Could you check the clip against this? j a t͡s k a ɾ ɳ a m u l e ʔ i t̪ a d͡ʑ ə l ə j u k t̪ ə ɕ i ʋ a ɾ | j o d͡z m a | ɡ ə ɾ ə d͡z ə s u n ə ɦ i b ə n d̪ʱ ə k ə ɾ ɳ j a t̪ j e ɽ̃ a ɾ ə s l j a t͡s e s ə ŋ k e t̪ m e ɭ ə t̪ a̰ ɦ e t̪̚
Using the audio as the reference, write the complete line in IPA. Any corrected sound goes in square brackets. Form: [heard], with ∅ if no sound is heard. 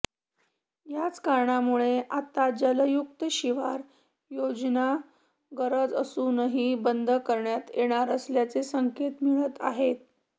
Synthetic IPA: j a t͡s k a ɾ ɳ a m u [ɭ] e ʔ [a] t̪ a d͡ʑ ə l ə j u k t̪ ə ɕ i ʋ a ɾ | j o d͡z [n] a | ɡ ə ɾ ə d͡z ə s u n ə ɦ i b ə n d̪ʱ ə k ə ɾ ɳ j a t̪ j e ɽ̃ a ɾ ə s l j a t͡s e s ə ŋ k e t̪ m [i] ɭ ə t̪ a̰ ɦ e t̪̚